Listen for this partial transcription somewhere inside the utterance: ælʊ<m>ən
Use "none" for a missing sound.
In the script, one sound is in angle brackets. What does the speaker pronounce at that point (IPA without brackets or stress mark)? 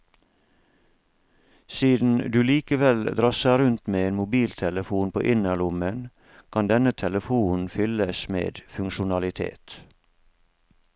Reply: m